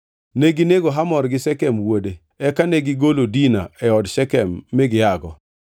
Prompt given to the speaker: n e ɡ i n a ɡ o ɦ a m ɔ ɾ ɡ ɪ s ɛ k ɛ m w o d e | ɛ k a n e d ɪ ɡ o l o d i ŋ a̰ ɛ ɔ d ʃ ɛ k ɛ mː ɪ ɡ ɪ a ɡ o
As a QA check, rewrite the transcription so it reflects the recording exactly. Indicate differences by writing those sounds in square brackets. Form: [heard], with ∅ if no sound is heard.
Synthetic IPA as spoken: n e ɡ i n [e] ɡ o ɦ a m ɔ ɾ ɡ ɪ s ɛ k ɛ m w o d e | ɛ k a n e [ɡ] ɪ ɡ o l o d i [n] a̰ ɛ ɔ d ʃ ɛ k ɛ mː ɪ ɡ ɪ a ɡ [ɔ]